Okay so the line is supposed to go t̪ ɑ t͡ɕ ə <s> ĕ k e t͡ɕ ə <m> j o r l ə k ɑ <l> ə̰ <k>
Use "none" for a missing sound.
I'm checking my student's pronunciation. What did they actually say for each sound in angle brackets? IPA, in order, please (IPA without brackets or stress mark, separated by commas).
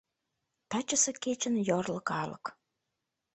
s, n, l, k